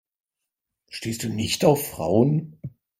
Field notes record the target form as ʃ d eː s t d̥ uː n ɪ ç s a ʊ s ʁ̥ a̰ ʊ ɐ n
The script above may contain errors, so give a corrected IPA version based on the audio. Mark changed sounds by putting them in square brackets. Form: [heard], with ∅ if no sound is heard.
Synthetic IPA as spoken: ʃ [t] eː s t d̥ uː n ɪ ç [t] a ʊ [f] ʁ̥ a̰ ʊ [ə] n